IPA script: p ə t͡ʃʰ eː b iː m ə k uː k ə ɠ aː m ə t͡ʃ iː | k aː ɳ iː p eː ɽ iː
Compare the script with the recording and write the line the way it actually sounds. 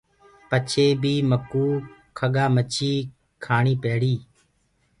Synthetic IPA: p ə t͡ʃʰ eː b iː m ə k uː kʰ ə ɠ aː m ə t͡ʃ iː | kʰ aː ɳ iː p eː ɽ iː